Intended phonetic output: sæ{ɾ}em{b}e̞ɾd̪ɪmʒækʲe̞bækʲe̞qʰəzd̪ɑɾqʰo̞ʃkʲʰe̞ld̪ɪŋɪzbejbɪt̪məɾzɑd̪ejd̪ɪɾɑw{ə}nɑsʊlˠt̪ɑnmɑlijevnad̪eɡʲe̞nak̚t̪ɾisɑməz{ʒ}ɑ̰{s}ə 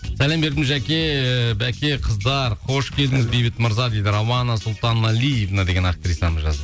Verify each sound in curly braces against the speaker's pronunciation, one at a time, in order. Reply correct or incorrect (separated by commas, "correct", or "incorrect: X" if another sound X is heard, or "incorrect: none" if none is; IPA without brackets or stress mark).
incorrect: l, correct, incorrect: ɑ, correct, incorrect: z